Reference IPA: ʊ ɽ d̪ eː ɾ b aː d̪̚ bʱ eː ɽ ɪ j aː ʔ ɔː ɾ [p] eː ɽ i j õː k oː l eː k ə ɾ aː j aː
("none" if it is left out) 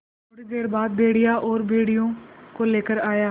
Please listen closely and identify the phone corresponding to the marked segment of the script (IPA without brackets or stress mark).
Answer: b